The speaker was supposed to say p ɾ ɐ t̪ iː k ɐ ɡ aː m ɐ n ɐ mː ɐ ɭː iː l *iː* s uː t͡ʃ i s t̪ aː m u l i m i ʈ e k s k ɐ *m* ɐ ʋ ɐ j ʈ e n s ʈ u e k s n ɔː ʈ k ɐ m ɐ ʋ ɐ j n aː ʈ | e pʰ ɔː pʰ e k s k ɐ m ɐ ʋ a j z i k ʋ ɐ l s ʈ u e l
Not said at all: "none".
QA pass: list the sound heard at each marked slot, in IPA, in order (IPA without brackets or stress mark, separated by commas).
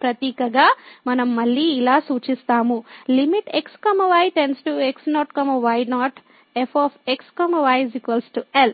aː, m